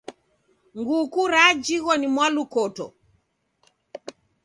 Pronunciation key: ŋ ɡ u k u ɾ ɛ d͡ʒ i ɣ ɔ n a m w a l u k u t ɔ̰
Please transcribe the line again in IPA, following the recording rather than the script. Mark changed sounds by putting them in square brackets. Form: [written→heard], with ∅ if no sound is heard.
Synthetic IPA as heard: ŋ ɡ u k u ɾ [ɛ→a] d͡ʒ i ɣ ɔ n [a→i] m w a l u k [u→ɔ] t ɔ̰

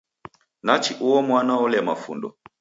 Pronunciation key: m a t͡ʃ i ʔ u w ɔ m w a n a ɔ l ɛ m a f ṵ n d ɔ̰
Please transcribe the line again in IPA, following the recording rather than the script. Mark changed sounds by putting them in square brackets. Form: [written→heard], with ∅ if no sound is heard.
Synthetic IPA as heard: [m→n] a t͡ʃ i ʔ u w ɔ m w a n a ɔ l ɛ m a f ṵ n d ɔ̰

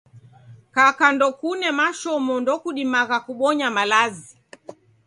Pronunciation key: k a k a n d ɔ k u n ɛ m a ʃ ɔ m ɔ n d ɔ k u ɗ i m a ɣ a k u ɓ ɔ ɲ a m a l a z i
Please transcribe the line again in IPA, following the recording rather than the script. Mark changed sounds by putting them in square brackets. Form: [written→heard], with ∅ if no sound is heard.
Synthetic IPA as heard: k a k a n d ɔ k u n ɛ m a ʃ ɔ m ɔ n d ɔ k u ɗ i m a ɣ a k u ɓ ɔ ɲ a m a l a z i

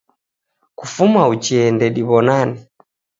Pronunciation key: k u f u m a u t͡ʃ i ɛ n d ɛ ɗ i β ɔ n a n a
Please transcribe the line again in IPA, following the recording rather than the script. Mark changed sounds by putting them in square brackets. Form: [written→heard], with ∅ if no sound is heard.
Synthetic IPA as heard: k u f u m a u t͡ʃ i ɛ n d ɛ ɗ i β ɔ n a n [a→i]

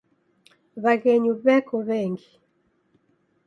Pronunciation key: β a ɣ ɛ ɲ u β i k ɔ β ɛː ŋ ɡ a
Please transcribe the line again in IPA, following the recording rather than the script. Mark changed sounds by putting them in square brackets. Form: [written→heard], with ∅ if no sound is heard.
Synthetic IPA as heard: β a ɣ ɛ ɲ u β [i→ɛ] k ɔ β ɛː ŋ ɡ [a→i]

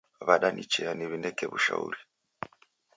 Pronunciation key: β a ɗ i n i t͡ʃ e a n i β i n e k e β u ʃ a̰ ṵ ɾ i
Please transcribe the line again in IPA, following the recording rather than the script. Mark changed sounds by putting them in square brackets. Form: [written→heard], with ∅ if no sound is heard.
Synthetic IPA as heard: β a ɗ [i→a] n i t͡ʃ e a n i β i n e k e β u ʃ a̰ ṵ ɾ i

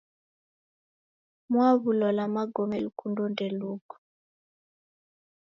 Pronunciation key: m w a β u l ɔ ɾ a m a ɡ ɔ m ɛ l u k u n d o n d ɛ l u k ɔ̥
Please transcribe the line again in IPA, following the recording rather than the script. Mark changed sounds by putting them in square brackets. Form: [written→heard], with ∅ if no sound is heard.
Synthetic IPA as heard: m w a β u l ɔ [ɾ→l] a m a ɡ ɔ m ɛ l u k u n d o n d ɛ l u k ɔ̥

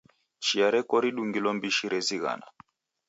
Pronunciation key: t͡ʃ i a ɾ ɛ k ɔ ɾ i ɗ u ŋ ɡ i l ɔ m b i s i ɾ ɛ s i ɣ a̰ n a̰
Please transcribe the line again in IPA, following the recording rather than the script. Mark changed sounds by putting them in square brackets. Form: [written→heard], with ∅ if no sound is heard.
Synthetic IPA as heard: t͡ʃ i a ɾ ɛ k ɔ ɾ i ɗ u ŋ ɡ i l ɔ m b i [s→ʃ] i ɾ ɛ [s→z] i ɣ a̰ n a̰

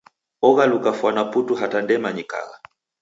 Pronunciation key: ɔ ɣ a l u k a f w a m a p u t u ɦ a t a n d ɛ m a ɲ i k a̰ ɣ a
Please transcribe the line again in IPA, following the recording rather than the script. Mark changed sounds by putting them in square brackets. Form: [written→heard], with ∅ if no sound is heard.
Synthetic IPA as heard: ɔ ɣ a l u k a f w a [m→n] a p u t u ɦ a t a n d ɛ m a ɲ i k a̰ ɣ a

